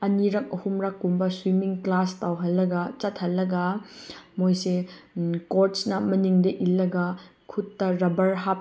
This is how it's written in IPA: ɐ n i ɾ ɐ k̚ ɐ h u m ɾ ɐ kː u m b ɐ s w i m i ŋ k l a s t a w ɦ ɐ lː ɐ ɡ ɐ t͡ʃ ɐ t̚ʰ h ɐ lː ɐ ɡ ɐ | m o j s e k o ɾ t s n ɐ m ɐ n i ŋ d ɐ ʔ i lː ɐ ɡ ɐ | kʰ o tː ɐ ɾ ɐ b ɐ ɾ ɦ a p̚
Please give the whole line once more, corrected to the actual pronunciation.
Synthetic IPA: ɐ n i ɾ ɐ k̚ ɐ h u m ɾ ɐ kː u m b ɐ s w i m i ŋ k l a s t a w ɦ ɐ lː ɐ ɡ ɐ t͡ʃ ɐ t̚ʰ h ɐ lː ɐ ɡ ɐ | m o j s e k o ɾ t s n ɐ m ɐ n i ŋ d ɐ ʔ i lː ɐ ɡ ɐ | kʰ u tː ɐ ɾ ɐ b ɐ ɾ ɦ a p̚